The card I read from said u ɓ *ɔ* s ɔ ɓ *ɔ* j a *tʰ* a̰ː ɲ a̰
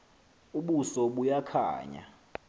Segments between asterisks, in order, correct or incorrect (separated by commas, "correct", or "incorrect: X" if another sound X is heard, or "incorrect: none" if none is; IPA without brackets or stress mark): incorrect: u, incorrect: u, incorrect: kʰ